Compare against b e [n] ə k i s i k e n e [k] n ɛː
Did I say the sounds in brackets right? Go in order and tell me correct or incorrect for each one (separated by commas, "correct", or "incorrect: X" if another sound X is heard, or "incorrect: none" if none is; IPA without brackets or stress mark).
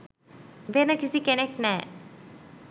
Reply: correct, correct